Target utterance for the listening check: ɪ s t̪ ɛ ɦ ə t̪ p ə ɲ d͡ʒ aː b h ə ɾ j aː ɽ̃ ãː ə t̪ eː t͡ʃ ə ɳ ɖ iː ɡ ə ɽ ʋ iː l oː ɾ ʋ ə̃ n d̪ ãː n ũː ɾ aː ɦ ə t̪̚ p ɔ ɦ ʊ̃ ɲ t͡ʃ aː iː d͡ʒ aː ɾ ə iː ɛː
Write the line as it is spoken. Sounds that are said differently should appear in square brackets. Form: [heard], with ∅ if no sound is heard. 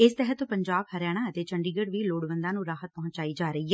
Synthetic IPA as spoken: ɪ s t̪ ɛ ɦ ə t̪ p ə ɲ d͡ʒ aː b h ə ɾ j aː ɽ̃ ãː ə t̪ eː t͡ʃ ə ɳ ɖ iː ɡ ə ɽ ʋ iː l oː [ɽ] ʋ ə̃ n d̪ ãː n ũː ɾ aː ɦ ə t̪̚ p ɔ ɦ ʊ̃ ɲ t͡ʃ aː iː d͡ʒ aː ɾ ə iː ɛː

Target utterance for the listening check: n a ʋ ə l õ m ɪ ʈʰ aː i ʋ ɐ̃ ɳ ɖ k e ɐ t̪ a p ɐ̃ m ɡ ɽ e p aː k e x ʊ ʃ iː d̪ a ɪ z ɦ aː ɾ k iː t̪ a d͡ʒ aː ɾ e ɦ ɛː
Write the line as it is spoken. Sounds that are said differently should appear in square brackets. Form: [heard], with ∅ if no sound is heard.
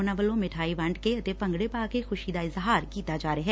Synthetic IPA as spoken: n a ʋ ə l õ m ɪ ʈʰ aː i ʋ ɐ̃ ɳ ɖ k e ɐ t̪ [e] p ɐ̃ [ŋ] ɡ ɽ e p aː k e x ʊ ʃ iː d̪ a ɪ z ɦ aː ɾ k iː t̪ a d͡ʒ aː ɾ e ɦ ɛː

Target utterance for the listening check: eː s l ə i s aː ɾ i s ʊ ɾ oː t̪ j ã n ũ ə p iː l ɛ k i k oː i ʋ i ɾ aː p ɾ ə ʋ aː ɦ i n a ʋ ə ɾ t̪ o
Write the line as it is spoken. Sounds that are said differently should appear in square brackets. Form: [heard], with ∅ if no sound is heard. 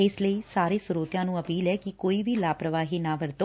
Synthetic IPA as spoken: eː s l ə i s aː ɾ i s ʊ ɾ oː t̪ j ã n ũ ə p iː l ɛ k i k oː i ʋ i [l] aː p ɾ ə ʋ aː ɦ i n a ʋ ə ɾ t̪ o

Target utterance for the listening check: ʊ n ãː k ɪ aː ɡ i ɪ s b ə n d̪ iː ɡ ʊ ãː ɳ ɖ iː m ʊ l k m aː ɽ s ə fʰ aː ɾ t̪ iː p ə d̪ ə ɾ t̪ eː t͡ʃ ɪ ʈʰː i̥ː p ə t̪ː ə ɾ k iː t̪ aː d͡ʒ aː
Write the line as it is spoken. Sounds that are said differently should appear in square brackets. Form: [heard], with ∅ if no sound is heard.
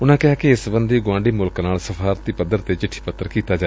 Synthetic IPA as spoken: ʊ n ãː k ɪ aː [k] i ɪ s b ə n d̪ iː ɡ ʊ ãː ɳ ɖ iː m ʊ l k [n] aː [l] s ə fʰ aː ɾ t̪ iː p ə d̪ ə ɾ t̪ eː t͡ʃ ɪ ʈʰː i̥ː p ə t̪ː ə ɾ k iː t̪ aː d͡ʒ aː

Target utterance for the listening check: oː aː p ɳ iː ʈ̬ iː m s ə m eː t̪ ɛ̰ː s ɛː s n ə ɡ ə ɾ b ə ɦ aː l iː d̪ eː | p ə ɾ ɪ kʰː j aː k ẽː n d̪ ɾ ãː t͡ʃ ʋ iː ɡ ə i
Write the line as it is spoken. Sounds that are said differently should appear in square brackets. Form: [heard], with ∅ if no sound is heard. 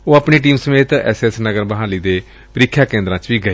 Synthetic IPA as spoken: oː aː p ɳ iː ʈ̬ iː m s ə m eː t̪ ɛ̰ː s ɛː s n ə ɡ ə ɾ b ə ɦ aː l iː d̪ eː | p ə ɾ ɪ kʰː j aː k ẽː n d̪ ɾ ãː t͡ʃ ʋ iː ɡ ə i

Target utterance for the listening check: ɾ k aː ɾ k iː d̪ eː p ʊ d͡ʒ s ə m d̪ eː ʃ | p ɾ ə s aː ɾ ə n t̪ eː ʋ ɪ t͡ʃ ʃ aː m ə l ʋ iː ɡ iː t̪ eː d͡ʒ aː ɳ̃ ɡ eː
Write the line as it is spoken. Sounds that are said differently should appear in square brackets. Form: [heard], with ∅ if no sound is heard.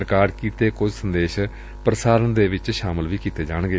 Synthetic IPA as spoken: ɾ k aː ɾ k iː [t̪] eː [k] ʊ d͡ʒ s ə [n] d̪ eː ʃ | p ɾ ə s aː ɾ ə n [d̪] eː ʋ ɪ t͡ʃ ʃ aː m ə l ʋ iː [k] iː t̪ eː d͡ʒ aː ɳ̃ ɡ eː

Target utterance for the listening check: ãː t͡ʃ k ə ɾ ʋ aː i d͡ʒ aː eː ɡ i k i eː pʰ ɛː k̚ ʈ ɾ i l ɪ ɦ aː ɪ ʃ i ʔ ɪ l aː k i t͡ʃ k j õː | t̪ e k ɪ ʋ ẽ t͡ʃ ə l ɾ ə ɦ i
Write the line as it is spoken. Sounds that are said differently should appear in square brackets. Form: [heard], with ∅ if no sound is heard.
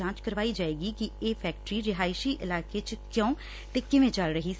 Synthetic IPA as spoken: ãː t͡ʃ k ə ɾ ʋ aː i d͡ʒ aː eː ɡ i k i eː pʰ ɛː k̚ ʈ ɾ i [ɾ] ɪ ɦ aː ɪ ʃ i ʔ ɪ l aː k [e] t͡ʃ k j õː | t̪ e k ɪ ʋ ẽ t͡ʃ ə l ɾ ə ɦ i

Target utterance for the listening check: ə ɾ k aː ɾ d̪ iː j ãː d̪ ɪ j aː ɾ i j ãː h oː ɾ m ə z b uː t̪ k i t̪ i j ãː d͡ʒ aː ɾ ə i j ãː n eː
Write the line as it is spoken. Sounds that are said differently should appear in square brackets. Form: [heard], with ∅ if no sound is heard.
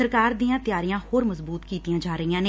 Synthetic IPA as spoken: ə ɾ k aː ɾ d̪ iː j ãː [t̪] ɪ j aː ɾ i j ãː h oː ɾ m ə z b uː t̪ k [iː] t̪ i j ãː d͡ʒ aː ɾ ə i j ãː n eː

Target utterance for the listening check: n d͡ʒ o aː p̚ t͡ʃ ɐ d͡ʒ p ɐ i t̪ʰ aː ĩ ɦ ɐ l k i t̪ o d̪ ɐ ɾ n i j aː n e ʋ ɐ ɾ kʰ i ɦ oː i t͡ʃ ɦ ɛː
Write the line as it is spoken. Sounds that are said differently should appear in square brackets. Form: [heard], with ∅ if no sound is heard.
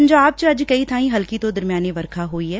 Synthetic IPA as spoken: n d͡ʒ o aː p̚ t͡ʃ ɐ d͡ʒ [k] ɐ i t̪ʰ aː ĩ ɦ ɐ l k i t̪ o d̪ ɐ ɾ [m] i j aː n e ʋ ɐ ɾ kʰ [a] ɦ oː i [∅] ɦ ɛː

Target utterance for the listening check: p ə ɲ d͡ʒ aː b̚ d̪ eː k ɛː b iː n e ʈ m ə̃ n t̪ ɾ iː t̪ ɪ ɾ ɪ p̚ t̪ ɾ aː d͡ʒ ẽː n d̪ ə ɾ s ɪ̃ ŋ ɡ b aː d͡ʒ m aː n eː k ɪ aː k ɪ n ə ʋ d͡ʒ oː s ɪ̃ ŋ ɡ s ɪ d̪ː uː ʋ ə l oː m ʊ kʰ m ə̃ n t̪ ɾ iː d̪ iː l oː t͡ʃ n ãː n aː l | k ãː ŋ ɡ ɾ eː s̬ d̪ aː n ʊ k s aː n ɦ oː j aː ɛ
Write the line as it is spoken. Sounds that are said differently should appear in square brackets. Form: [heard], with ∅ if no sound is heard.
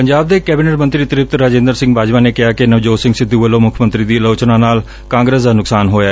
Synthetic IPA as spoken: p ə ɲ d͡ʒ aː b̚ d̪ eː k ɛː b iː n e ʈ m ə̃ n t̪ ɾ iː t̪ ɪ ɾ ɪ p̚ t̪ ɾ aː d͡ʒ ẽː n d̪ ə ɾ s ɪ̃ ŋ ɡ b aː d͡ʒ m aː n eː k ɪ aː k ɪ n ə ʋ d͡ʒ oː s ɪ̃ ŋ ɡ s ɪ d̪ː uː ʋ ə l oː m ʊ kʰ m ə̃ n t̪ ɾ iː d̪ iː l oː t͡ʃ n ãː n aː l | k ãː ŋ ɡ ɾ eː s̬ d̪ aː n ʊ k s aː n ɦ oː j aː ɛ

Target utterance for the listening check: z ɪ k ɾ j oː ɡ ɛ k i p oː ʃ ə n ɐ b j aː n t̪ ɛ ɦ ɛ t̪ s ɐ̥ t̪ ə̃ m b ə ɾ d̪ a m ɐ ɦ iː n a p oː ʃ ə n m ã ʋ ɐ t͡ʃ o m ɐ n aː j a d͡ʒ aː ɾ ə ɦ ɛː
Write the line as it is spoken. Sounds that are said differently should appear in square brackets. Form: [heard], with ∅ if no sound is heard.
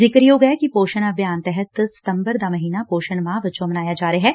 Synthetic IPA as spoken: z ɪ k ɾ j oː ɡ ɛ k i p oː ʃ ə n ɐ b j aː n t̪ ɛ ɦ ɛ t̪ s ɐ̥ t̪ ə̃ m b ə ɾ d̪ a m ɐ ɦ iː n a p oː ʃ ə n m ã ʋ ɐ t͡ʃ o m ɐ n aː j a d͡ʒ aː ɾ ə ɦ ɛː

